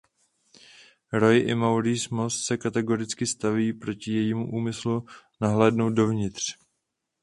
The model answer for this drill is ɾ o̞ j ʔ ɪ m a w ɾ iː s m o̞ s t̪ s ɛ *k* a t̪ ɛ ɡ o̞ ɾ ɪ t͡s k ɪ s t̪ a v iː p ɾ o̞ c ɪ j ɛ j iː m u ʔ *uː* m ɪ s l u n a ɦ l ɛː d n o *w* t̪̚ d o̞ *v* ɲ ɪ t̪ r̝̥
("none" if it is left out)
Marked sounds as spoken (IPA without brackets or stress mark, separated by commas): k, uː, w, v